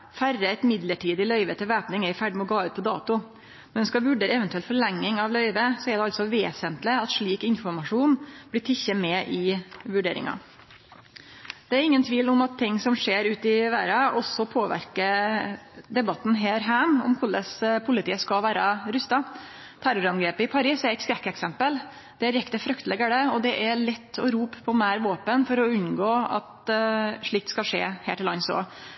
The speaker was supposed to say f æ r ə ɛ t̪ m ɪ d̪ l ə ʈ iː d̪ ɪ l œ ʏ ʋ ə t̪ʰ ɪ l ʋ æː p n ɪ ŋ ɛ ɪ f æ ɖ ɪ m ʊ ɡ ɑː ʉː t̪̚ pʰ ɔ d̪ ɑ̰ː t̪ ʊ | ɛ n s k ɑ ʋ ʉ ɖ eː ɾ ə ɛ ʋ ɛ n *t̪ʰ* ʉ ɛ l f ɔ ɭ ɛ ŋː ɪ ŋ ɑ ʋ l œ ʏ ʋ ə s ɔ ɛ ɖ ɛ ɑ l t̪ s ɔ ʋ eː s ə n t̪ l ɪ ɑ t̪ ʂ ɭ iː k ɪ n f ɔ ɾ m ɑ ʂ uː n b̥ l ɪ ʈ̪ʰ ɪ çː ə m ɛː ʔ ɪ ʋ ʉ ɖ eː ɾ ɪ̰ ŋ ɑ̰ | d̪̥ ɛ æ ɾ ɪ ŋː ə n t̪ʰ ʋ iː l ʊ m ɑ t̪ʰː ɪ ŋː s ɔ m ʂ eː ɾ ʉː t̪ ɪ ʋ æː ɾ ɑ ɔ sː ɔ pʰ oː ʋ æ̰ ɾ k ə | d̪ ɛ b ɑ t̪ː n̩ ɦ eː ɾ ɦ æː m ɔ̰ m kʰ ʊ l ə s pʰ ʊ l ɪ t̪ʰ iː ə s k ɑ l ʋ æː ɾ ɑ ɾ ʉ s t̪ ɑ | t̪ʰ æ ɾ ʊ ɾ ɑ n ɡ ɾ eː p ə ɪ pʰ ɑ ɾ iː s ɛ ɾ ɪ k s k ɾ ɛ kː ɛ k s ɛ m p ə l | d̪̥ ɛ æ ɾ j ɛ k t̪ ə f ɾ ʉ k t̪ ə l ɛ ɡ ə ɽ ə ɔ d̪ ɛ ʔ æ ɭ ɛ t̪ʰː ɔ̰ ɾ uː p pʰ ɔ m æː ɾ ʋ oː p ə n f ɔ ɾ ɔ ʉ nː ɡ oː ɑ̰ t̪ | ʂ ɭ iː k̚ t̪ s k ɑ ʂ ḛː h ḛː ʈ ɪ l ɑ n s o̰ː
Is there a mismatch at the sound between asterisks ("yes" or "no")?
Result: yes